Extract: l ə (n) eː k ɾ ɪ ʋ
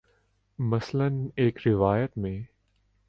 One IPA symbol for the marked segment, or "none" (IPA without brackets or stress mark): n